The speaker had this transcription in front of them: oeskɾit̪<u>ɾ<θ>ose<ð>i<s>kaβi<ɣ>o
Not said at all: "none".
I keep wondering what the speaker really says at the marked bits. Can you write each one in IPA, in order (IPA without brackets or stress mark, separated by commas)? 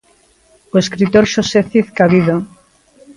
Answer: o, ʃ, θ, θ, ð